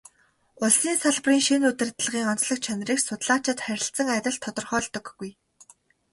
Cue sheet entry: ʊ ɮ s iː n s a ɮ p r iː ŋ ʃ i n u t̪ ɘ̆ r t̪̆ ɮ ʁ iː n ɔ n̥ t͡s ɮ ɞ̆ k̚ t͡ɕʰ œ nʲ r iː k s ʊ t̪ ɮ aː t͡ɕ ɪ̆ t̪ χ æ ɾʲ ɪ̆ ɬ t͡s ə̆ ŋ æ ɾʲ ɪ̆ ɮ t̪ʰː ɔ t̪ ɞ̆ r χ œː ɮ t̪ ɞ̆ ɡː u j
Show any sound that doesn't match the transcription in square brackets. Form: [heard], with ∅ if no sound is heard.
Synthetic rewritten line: ʊ ɮ s iː n s a ɮ p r iː ŋ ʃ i n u t̪ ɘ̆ r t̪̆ ɮ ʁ iː [ŋ] ɔ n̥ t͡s ɮ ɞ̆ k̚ t͡ɕʰ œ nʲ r iː k s ʊ t̪ ɮ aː t͡ɕ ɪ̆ t̪ χ æ ɾʲ ɪ̆ ɬ t͡s ə̆ ŋ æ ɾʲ ɪ̆ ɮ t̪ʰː ɔ t̪ ɞ̆ r χ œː ɮ t̪ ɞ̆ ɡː u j